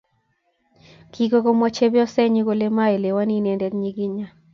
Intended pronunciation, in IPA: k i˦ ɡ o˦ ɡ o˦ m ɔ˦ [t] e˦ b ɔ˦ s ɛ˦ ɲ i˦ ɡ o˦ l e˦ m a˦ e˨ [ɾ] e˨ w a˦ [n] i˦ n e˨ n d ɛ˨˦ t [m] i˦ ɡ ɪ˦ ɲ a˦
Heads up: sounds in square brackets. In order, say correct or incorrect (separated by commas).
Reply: incorrect, incorrect, correct, incorrect